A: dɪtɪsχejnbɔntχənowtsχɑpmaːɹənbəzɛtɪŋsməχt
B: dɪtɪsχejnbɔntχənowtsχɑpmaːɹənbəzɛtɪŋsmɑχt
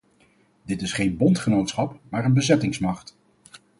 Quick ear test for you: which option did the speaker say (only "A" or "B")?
B